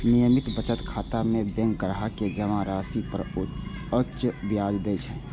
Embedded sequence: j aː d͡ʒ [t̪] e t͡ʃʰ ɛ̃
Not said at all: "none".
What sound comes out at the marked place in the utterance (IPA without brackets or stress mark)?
d̪